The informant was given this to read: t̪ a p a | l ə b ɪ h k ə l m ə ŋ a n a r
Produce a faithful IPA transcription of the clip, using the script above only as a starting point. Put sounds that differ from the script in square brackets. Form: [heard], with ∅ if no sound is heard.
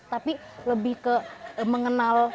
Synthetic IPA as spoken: t̪ a p [i] | l ə b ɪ h k ə [∅] m ə ŋ [ə] n a [l]